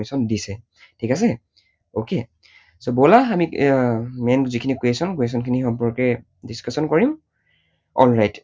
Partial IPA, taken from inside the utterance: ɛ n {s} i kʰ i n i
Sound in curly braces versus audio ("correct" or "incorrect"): incorrect